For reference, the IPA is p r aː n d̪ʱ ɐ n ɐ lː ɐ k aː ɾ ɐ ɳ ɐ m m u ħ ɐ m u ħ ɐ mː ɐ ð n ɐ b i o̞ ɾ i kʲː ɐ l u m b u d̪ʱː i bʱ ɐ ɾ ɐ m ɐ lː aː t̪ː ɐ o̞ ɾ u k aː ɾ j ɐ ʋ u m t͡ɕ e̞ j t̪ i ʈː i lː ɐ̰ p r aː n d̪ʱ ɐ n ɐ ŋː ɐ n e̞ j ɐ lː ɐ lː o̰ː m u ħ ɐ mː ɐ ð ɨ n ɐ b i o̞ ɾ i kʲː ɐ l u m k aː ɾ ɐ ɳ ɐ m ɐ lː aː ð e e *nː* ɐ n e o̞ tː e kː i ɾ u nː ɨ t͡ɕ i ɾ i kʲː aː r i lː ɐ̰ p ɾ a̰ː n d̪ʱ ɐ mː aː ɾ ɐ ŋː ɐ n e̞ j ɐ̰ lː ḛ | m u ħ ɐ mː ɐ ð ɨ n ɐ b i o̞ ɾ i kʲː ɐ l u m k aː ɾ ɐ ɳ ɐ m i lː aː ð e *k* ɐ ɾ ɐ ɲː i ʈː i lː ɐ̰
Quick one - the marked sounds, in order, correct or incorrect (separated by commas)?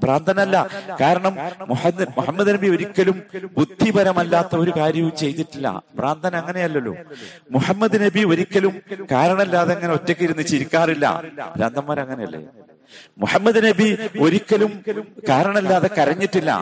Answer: incorrect, correct